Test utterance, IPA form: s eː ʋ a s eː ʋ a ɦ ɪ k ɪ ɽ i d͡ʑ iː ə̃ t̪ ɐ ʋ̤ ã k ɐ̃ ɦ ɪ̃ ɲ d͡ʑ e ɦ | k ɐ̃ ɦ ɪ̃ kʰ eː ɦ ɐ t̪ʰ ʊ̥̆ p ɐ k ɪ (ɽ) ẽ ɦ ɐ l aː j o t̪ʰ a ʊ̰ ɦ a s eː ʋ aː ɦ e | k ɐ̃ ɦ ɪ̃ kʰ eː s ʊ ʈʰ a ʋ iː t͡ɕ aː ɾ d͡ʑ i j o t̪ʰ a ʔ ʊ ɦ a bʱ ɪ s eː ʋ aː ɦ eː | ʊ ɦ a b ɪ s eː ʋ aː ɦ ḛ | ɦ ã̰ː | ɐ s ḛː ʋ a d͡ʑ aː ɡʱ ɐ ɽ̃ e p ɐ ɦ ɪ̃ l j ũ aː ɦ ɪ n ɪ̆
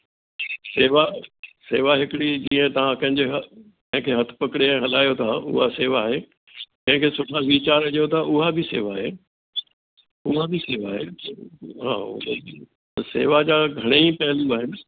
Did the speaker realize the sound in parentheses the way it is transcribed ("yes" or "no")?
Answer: yes